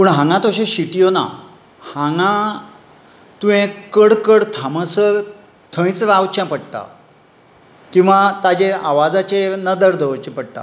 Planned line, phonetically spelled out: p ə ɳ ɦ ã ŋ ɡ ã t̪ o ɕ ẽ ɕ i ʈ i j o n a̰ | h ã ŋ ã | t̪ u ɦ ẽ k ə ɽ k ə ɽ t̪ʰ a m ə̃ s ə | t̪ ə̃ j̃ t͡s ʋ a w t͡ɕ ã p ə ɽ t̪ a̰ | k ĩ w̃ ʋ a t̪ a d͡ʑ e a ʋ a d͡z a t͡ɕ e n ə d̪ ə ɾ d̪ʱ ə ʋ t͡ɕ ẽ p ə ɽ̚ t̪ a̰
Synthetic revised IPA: p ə ɳ ɦ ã ŋ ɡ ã t̪ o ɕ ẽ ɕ i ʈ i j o n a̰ | h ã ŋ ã | t̪ u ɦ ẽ k ə ɽ k ə ɽ t̪ʰ a m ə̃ s ə | t̪ʰ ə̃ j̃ t͡s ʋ a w t͡ɕ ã p ə ɽ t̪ a̰ | k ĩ w̃ ʋ a t̪ a d͡ʑ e a ʋ a d͡z a t͡ɕ e n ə d̪ ə ɾ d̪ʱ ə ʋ t͡ɕ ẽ p ə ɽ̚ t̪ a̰

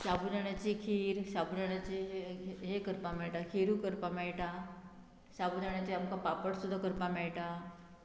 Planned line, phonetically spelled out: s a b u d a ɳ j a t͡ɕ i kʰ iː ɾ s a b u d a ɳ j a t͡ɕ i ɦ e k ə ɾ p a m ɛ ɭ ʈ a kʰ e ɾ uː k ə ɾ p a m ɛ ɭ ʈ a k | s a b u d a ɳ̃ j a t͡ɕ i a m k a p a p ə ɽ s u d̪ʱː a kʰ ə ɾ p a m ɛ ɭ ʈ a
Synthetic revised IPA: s a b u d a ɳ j a t͡ɕ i kʰ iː ɾ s a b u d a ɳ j a t͡ɕ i ɦ e k ə ɾ p a m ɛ ɭ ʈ a kʰ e ɾ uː k ə ɾ p a m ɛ ɭ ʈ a | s a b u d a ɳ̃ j a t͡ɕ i a m k a p a p ə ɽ s u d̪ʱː a k ə ɾ p a m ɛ ɭ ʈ a

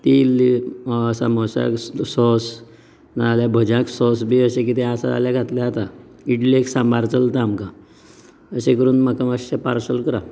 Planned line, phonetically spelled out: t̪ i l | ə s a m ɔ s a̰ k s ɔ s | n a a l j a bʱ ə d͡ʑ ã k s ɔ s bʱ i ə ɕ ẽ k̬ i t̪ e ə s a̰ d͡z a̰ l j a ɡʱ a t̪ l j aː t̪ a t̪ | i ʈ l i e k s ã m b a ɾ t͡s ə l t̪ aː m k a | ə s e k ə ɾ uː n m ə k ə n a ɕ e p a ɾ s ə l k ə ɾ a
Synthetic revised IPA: t̪ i l | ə s a m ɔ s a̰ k s ɔ s | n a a l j a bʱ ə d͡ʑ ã k s ɔ s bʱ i ə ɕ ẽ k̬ i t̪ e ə s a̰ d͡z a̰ l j a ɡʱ a t̪ l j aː t̪ a | i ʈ l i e k s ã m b a ɾ t͡s ə l t̪ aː m k a | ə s e k ə ɾ uː n m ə k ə m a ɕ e p a ɾ s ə l k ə ɾ a

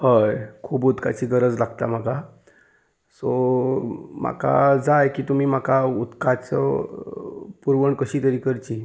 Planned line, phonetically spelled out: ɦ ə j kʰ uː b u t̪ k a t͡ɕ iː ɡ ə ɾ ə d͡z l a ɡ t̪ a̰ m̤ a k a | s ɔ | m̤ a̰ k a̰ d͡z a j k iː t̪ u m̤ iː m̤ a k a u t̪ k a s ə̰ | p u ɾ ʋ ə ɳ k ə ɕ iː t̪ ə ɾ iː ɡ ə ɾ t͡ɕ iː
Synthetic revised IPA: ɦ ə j kʰ uː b u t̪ k a t͡ɕ iː ɡ ə ɾ ə d͡z l a ɡ t̪ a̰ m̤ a k a | s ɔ | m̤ a̰ k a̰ d͡z a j k iː t̪ u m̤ iː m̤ a k a u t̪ k a t͡s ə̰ | p u ɾ ʋ ə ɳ k ə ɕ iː t̪ ə ɾ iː k ə ɾ t͡ɕ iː

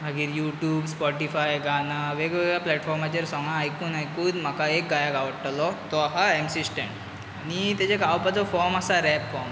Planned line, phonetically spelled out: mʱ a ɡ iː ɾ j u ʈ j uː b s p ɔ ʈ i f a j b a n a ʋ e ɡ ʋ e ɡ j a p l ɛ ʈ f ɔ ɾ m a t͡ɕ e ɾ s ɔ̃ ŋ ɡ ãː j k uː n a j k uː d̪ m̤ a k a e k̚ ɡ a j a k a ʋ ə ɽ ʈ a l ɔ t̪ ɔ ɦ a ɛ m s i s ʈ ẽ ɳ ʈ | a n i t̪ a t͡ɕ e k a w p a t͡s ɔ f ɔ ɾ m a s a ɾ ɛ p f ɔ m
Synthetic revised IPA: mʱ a ɡ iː ɾ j u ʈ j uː b s p ɔ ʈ i f a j ɡ a n a ʋ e ɡ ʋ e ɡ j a p l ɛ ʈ f ɔ ɾ m a t͡ɕ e ɾ s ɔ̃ ŋ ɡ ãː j k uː n a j k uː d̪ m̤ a k a e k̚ ɡ a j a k a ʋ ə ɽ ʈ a l ɔ t̪ ɔ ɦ a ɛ m s i s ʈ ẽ ɳ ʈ | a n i t̪ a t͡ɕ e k a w p a t͡s ɔ f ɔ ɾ m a s a ɾ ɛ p f ɔ m

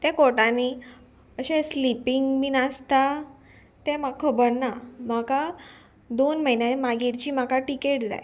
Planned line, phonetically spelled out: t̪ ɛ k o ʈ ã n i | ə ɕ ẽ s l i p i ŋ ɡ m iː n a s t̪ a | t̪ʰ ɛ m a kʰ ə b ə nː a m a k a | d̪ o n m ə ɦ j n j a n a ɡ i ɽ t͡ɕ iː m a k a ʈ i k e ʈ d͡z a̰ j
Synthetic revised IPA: t̪ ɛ k o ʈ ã n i | ə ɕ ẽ s l i p i ŋ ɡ m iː n a s t̪ a | t̪ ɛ m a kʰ ə b ə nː a m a k a | d̪ o n m ə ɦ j n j a m a ɡ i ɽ t͡ɕ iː m a k a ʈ i k e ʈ d͡z a̰ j

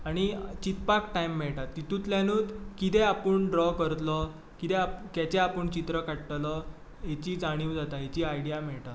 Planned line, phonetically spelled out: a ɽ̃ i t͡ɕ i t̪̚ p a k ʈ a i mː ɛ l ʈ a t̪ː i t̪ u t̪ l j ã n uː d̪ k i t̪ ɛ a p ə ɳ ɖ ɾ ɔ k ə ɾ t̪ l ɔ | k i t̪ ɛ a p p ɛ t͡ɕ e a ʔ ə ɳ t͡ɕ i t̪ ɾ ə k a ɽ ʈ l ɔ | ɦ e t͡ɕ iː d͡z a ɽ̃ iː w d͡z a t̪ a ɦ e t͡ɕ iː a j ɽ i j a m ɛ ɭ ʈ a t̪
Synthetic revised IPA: a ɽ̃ i t͡ɕ i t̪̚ p a k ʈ a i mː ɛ ɭ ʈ a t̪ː i t̪ u t̪ l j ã n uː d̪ k i t̪ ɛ a p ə ɳ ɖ ɾ ɔ k ə ɾ t̪ l ɔ | k i t̪ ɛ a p k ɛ t͡ɕ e a p ə ɳ t͡ɕ i t̪ ɾ ə k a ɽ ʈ l ɔ | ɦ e t͡ɕ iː d͡z a ɽ̃ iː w d͡z a t̪ a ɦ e t͡ɕ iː a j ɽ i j a m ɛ ɭ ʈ a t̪

